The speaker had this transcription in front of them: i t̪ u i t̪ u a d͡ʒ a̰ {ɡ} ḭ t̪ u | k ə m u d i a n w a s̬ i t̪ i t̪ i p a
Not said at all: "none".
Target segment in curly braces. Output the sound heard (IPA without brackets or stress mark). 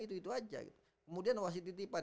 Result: ɡ